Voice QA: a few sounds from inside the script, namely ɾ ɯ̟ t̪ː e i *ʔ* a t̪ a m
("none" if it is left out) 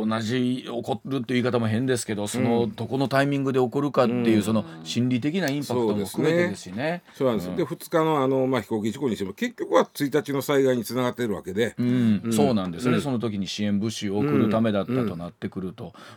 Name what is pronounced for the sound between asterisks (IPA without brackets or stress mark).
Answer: k